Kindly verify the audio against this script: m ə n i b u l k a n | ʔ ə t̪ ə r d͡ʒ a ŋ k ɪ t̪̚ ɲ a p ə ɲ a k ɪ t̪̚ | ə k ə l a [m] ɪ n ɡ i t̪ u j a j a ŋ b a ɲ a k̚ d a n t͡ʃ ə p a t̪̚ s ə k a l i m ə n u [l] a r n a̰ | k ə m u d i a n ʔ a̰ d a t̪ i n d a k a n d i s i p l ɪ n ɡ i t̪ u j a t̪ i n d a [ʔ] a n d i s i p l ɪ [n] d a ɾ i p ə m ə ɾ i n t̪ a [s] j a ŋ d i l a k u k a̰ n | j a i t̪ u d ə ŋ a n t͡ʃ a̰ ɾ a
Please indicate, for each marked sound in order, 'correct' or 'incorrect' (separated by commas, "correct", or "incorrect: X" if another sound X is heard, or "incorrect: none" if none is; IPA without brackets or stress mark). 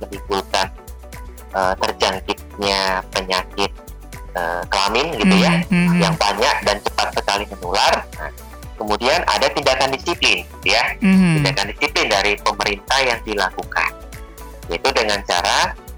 correct, correct, incorrect: k, correct, incorrect: h